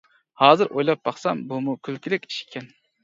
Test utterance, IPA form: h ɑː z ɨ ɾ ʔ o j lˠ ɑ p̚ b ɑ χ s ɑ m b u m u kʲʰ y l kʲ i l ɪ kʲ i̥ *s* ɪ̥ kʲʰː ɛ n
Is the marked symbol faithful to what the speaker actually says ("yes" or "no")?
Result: no